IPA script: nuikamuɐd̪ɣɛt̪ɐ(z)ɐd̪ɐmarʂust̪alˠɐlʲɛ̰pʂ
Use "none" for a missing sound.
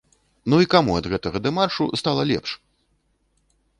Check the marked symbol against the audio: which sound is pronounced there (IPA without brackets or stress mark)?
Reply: ɣ